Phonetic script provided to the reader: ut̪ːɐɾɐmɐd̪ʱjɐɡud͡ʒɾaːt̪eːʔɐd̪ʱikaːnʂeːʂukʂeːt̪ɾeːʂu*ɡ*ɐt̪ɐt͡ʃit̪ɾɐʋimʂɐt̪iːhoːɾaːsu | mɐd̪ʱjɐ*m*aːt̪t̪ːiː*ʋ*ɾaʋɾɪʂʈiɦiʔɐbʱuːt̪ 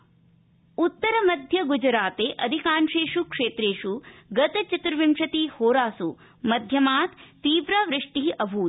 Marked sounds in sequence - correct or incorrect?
correct, correct, correct

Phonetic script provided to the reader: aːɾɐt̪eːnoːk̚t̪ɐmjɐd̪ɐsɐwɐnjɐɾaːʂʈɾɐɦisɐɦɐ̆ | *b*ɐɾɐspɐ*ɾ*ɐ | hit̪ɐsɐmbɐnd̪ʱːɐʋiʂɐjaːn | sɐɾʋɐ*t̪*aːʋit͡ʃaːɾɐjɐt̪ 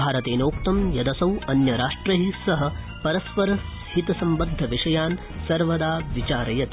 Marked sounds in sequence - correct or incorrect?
incorrect: p, correct, incorrect: d̪

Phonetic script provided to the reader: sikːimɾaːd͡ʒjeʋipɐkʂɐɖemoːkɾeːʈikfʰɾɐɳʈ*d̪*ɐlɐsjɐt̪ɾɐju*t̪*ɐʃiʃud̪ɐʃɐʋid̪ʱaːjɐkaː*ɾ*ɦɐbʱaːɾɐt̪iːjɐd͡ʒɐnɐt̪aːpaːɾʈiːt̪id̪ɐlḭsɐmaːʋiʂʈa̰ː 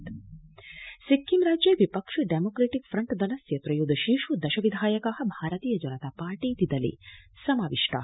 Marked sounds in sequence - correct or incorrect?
correct, incorrect: d̪, incorrect: none

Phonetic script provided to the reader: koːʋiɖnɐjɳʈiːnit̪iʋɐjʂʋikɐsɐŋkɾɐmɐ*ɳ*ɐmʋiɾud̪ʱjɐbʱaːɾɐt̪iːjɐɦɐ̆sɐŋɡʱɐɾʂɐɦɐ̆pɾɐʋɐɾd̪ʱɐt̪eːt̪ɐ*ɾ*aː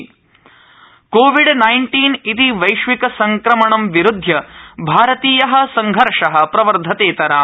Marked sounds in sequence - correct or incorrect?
correct, correct

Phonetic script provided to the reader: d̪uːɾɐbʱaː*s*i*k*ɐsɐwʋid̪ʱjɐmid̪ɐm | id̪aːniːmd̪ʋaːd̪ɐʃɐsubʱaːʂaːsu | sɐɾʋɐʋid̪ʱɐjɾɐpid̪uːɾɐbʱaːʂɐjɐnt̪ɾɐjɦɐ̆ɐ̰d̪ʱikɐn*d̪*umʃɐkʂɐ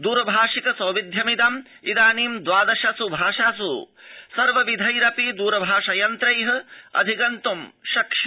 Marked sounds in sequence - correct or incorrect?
incorrect: ʂ, correct, incorrect: t̪

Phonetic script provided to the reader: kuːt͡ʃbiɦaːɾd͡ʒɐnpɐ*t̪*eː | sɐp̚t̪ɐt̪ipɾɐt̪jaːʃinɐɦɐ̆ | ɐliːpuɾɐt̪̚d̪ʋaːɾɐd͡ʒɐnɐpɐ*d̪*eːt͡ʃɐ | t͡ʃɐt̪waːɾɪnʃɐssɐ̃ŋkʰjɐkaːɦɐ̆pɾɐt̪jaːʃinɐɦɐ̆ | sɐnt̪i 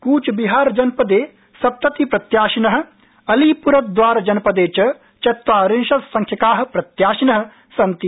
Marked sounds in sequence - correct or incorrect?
incorrect: d̪, correct

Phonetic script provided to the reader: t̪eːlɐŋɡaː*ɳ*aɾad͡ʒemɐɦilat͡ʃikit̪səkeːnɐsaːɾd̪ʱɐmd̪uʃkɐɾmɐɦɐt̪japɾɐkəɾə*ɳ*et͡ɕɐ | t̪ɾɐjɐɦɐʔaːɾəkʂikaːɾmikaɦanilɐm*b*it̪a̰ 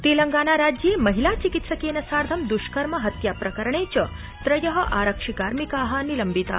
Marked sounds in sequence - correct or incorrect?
incorrect: n, correct, correct

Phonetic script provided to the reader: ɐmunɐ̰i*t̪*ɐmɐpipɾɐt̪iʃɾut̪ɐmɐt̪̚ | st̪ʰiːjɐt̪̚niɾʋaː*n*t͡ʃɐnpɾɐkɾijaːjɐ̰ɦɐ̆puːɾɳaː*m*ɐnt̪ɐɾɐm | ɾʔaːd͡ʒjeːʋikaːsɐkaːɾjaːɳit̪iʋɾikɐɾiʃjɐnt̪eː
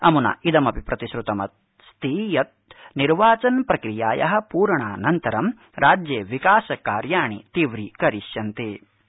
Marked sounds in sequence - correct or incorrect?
incorrect: d̪, incorrect: none, incorrect: n

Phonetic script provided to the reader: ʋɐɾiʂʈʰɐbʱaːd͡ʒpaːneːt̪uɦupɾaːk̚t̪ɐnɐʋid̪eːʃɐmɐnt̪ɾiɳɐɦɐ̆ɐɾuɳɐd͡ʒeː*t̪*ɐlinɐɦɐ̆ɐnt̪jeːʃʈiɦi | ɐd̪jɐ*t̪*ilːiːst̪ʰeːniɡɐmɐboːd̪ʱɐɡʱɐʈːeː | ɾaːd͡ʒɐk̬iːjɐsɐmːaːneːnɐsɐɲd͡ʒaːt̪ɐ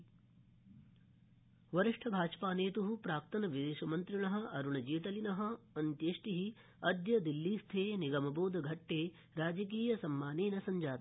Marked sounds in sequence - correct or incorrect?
correct, incorrect: d̪

